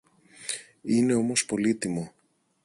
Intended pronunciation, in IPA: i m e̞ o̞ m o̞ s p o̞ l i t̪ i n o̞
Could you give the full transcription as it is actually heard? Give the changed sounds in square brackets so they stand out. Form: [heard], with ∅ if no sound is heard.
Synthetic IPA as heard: i [n] e̞ o̞ m o̞ s p o̞ l i t̪ i [m] o̞